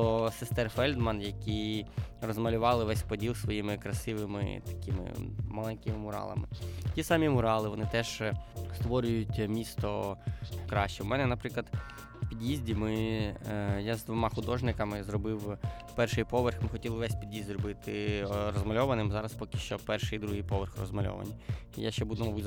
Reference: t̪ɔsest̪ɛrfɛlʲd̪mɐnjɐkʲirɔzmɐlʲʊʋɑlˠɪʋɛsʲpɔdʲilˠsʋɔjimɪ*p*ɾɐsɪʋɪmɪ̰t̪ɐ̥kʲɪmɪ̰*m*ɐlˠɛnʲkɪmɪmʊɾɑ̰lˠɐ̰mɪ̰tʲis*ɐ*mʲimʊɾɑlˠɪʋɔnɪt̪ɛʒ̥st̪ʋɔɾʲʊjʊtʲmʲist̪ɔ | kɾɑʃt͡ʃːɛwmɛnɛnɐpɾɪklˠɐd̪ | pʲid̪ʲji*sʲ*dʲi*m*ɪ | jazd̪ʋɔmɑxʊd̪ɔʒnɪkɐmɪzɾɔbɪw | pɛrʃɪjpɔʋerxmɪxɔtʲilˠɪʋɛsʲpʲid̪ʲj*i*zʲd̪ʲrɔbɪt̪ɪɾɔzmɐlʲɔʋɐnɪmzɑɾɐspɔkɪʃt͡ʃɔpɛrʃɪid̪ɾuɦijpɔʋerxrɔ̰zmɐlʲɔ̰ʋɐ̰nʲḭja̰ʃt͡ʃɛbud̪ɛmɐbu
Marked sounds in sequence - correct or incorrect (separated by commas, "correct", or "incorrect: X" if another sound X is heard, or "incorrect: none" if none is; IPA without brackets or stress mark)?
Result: incorrect: k, correct, incorrect: ɑ, incorrect: zʲ, correct, correct